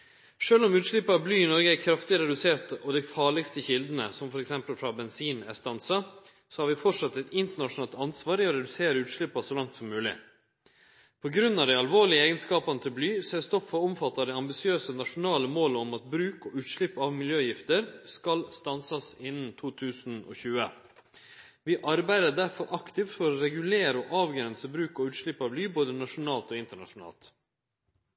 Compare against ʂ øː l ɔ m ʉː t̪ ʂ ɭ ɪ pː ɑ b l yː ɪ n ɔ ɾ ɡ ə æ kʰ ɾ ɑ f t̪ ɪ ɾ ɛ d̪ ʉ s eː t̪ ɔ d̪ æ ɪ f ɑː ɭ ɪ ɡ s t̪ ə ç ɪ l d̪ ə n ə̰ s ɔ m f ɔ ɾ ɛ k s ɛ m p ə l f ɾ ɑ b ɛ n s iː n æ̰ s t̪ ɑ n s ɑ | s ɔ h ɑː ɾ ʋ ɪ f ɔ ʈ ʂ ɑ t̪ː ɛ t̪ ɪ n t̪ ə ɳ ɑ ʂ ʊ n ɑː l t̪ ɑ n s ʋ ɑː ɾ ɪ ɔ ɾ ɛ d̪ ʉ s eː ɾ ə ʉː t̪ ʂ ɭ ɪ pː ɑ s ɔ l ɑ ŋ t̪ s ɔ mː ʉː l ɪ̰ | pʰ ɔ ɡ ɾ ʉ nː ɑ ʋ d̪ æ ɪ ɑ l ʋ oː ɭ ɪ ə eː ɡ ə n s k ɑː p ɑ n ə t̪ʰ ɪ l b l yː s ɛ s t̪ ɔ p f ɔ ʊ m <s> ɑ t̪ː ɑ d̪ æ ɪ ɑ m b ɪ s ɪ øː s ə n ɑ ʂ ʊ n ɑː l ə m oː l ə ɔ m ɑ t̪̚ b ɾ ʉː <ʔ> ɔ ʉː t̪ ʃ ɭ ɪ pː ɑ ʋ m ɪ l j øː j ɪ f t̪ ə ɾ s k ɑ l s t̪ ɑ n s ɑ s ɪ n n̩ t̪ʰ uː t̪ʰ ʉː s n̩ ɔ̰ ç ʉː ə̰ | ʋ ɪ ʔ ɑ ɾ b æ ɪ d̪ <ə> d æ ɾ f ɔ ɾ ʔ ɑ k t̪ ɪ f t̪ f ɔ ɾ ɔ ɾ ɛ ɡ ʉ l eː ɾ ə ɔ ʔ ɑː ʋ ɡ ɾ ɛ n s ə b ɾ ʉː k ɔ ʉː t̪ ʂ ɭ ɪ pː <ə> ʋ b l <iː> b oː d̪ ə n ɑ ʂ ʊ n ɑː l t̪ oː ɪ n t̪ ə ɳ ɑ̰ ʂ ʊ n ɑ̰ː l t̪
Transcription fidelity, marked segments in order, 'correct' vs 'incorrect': incorrect: f, incorrect: k, correct, incorrect: ɑ, incorrect: yː

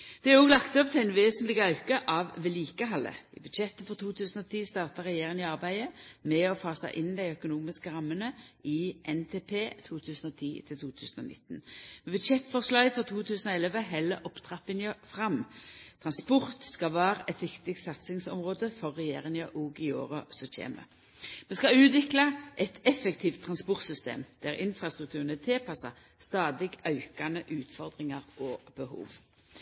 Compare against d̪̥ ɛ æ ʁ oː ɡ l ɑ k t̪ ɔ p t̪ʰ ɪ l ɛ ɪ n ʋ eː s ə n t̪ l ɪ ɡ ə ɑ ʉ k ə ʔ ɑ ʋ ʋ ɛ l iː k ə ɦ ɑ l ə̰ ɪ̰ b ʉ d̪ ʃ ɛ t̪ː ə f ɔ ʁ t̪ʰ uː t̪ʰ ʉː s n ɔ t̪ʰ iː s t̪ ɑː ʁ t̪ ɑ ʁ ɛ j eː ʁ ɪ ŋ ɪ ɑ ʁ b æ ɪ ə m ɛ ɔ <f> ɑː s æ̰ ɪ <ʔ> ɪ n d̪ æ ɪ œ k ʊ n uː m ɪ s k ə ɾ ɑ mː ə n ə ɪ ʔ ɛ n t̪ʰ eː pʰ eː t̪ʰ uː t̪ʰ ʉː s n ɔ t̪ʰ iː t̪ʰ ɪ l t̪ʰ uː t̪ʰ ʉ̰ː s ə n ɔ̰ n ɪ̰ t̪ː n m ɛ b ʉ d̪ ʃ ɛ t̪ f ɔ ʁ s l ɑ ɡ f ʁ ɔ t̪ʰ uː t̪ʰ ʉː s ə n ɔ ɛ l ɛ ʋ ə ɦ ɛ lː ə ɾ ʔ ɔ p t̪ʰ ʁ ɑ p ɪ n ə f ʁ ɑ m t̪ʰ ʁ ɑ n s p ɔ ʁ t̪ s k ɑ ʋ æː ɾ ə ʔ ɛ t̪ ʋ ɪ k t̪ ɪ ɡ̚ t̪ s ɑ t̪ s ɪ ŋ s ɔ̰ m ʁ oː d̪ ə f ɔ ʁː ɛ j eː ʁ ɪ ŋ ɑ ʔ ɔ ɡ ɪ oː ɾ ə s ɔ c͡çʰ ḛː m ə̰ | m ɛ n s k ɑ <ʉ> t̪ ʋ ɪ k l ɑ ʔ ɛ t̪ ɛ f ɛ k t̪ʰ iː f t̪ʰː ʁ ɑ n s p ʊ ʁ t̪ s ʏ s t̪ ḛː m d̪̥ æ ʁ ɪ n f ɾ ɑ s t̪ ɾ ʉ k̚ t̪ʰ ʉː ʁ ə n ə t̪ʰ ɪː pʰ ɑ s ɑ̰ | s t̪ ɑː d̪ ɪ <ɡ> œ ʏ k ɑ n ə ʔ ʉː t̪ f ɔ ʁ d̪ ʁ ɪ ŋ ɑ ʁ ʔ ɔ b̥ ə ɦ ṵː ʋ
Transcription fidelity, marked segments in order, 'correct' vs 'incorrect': correct, correct, incorrect: ʉː, correct

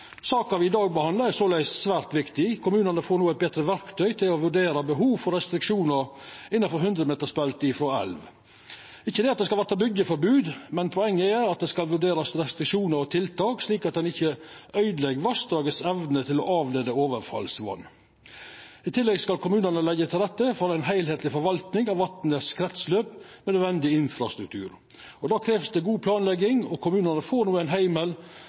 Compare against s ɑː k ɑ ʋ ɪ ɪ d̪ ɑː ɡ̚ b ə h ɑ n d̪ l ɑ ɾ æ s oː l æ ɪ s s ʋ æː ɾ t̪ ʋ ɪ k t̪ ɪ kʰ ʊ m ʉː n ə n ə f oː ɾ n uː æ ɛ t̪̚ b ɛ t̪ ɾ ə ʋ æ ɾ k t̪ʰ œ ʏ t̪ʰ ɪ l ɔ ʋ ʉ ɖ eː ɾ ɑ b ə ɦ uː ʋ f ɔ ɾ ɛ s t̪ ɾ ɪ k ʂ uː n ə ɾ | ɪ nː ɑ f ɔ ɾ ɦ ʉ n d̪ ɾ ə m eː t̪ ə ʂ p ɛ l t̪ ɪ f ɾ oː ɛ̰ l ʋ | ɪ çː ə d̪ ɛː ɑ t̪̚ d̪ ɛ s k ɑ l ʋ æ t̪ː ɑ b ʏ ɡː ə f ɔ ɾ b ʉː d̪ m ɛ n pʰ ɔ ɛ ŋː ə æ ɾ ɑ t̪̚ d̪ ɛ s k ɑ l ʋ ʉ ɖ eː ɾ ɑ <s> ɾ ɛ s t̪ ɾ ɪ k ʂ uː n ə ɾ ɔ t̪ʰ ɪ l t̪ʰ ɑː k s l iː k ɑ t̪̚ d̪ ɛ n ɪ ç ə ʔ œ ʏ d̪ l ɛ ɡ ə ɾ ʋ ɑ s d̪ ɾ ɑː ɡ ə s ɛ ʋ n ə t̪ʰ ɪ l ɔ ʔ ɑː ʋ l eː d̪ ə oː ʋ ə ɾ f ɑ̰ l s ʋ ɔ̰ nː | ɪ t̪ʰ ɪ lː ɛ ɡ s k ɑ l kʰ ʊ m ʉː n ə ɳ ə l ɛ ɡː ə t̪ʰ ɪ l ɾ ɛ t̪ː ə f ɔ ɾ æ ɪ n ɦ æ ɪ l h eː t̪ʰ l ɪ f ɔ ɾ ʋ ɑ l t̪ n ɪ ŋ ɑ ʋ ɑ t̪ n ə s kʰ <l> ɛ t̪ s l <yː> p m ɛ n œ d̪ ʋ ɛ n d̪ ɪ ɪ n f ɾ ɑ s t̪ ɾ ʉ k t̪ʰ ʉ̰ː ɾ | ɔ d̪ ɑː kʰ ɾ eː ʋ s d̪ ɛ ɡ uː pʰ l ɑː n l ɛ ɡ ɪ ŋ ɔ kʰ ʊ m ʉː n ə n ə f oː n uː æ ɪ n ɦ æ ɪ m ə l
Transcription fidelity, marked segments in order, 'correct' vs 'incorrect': correct, incorrect: ɾ, incorrect: øː

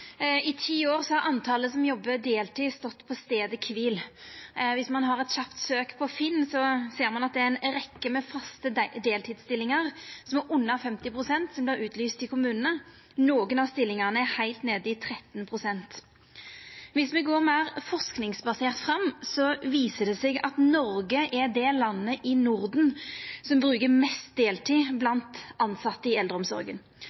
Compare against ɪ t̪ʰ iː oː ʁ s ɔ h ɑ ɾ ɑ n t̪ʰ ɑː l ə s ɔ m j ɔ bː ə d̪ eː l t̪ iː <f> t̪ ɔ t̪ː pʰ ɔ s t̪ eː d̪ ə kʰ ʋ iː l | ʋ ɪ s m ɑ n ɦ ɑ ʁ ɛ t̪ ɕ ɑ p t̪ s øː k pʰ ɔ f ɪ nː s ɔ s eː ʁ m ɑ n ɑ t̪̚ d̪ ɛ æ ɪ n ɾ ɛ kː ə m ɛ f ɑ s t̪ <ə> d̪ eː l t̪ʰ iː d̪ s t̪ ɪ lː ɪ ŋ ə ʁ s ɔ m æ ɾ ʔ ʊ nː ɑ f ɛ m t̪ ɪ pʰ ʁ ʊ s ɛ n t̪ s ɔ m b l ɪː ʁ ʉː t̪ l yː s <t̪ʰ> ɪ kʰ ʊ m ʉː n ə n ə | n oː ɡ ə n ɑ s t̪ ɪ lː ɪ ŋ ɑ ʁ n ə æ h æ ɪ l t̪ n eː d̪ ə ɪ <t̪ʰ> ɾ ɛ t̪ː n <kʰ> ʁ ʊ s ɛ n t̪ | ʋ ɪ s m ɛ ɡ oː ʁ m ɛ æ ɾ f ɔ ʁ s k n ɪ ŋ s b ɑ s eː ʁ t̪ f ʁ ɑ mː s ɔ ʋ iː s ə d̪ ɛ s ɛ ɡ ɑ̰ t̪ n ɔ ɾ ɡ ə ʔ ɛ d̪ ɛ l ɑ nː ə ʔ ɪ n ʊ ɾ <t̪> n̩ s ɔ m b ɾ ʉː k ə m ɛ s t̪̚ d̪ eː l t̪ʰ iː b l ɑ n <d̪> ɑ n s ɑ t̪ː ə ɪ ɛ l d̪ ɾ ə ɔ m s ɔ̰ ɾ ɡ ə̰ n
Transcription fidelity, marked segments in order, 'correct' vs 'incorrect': incorrect: s, correct, incorrect: t̪, correct, incorrect: pʰ, incorrect: d̪, incorrect: t̪

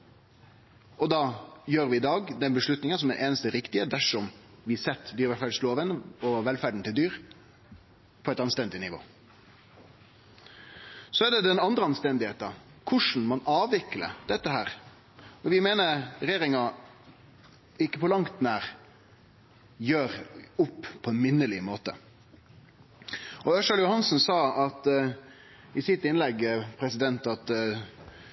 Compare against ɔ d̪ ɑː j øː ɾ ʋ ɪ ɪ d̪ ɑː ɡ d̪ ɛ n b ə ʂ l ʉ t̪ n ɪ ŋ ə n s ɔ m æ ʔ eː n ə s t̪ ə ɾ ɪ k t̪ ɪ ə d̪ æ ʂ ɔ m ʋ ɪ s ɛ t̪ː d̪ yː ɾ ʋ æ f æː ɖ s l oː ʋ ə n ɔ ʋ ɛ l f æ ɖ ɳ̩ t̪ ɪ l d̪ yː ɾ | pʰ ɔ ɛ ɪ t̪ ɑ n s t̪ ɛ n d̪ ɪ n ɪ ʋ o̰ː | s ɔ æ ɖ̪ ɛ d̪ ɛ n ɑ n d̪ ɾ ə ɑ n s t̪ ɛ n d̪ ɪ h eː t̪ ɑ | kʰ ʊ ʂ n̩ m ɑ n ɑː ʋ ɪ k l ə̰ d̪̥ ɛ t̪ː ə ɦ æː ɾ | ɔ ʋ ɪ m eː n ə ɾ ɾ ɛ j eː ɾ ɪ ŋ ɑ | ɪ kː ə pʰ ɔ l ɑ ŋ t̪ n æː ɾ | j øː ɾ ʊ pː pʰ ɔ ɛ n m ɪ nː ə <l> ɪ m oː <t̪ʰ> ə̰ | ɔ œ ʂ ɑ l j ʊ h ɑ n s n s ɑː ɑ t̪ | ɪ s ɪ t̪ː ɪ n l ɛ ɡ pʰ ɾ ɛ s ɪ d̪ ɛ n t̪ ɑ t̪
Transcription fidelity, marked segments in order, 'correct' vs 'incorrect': correct, incorrect: t̪

